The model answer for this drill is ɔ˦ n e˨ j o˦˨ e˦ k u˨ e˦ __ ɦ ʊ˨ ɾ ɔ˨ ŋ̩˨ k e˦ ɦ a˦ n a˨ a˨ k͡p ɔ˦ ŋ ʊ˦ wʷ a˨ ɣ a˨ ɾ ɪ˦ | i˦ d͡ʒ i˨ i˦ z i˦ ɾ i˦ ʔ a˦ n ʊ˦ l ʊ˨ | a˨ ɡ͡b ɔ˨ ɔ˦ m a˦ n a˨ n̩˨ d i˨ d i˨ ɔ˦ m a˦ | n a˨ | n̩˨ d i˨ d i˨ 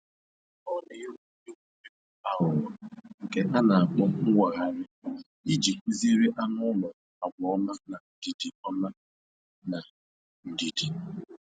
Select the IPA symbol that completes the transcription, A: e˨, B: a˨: B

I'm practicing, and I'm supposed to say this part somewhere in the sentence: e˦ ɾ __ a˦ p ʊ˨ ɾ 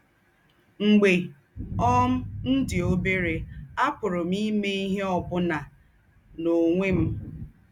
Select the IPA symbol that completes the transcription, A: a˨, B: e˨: B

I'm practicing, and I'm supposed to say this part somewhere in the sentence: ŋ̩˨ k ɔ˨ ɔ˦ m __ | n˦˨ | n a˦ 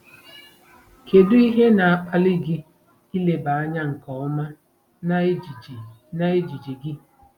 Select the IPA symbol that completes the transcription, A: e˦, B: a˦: B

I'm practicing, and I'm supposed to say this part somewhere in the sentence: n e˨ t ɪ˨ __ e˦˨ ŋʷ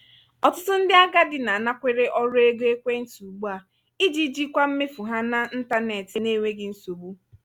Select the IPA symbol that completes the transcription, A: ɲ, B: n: B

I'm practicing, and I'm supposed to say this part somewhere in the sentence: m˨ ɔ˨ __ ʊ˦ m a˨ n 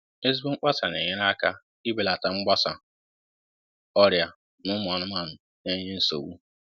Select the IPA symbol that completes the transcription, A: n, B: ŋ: A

